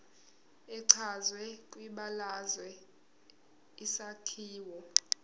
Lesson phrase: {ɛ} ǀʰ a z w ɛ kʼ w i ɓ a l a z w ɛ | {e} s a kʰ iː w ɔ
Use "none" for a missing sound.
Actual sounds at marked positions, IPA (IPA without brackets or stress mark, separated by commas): ɛ, i